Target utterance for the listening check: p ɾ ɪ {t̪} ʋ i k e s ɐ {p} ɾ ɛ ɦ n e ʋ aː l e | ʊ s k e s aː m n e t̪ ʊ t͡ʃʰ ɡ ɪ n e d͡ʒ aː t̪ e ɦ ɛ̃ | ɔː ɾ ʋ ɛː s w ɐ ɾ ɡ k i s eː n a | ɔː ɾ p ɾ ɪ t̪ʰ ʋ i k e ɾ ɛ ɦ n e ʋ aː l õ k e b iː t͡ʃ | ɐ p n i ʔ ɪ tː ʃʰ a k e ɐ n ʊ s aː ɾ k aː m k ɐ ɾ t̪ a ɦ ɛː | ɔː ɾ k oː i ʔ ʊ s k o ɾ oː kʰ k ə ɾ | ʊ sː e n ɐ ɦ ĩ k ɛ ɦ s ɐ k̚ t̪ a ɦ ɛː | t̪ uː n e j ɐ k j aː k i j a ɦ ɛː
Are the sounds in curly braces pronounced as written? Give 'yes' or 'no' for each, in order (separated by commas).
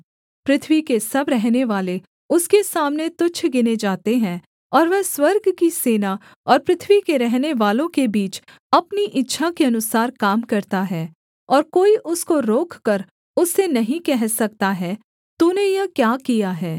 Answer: no, no